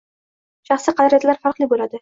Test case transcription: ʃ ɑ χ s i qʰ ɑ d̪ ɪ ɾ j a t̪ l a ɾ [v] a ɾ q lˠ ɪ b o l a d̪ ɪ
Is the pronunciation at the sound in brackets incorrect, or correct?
incorrect